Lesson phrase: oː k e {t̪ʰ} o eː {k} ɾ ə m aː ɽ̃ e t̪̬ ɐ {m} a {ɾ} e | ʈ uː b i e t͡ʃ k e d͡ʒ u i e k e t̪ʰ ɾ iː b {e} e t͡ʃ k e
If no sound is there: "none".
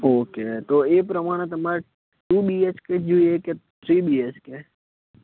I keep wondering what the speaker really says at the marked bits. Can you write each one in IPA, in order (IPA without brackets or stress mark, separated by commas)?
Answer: t̪, p, m, ɾ, i